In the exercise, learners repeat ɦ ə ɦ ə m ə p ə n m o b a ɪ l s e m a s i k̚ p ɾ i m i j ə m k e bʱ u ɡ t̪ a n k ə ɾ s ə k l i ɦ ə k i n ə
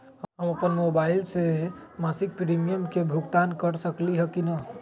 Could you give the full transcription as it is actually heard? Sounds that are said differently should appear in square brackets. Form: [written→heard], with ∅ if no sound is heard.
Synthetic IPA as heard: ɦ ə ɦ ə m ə p ə n m o b a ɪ l s e m a s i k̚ p ɾ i m i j ə m k e bʱ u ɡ t̪ a n k ə ɾ s ə k l i ɦ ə k i n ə